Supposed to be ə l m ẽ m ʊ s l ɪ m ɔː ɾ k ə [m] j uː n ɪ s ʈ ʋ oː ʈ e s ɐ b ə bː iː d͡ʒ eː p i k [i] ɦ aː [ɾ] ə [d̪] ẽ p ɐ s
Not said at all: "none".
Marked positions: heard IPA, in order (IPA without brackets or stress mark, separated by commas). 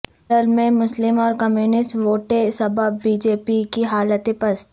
m, i, l, t̪